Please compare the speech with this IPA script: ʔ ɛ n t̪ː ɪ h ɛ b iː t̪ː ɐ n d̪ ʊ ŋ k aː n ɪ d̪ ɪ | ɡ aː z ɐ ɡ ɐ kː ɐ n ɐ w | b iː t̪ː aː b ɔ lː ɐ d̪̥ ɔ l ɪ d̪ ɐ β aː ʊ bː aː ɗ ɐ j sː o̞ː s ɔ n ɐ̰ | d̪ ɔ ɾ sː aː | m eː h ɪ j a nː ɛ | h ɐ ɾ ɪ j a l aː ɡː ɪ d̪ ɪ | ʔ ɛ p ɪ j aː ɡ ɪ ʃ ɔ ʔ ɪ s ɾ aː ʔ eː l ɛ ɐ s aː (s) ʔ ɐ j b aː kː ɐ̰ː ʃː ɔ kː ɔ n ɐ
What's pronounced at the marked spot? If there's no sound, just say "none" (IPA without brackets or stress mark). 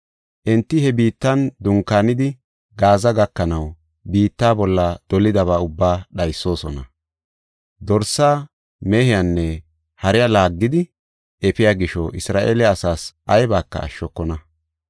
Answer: s